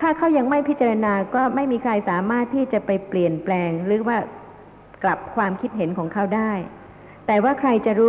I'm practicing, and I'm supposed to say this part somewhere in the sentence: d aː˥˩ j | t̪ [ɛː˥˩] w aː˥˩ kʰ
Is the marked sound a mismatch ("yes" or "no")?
yes